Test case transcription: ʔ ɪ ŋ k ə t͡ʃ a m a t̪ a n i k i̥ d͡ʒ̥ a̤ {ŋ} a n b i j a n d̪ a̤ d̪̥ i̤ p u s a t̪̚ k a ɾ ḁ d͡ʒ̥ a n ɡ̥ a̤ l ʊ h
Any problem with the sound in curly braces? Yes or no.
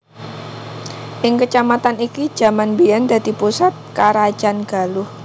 yes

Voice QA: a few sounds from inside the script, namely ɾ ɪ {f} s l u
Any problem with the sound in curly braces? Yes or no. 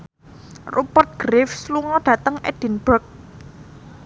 no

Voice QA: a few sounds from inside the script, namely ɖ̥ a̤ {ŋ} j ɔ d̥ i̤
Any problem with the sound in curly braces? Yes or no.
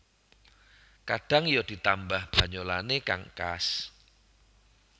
no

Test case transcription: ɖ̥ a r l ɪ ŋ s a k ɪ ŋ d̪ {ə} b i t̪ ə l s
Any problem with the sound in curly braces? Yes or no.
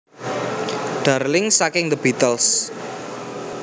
no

